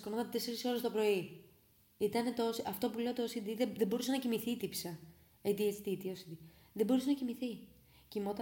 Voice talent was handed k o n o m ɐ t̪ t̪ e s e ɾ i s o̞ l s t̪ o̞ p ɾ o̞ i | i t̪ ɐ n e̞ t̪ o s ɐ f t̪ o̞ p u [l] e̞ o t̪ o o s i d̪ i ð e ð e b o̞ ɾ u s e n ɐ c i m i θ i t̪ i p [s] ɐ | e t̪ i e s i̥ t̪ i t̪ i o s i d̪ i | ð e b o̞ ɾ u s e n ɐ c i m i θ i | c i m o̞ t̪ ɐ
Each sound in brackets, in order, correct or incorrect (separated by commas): correct, correct